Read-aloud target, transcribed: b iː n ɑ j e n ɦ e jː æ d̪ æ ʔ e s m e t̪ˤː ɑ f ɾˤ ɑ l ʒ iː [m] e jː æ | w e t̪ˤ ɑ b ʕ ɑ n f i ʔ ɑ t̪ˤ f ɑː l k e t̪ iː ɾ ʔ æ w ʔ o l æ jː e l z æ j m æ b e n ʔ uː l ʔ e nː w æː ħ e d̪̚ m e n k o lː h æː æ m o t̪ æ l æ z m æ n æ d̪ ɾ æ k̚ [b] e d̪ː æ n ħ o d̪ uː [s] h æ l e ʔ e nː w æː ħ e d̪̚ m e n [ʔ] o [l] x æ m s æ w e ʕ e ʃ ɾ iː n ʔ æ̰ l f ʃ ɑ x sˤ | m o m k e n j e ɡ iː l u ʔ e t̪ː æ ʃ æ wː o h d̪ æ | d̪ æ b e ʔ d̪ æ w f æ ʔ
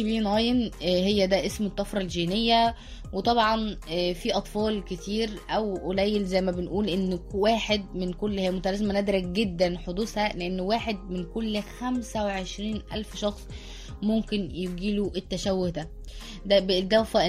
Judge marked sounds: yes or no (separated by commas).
no, no, yes, no, no